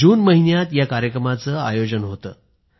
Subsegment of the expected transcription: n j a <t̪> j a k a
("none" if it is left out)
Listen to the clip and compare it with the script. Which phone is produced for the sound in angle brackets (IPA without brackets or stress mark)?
t̪